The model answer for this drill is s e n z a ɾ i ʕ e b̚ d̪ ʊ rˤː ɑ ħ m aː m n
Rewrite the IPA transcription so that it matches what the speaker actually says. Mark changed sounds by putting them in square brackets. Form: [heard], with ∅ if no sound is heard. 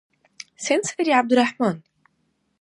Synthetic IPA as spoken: s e n [s] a ɾ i ʕ [a] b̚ d̪ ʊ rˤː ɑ ħ m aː [∅] n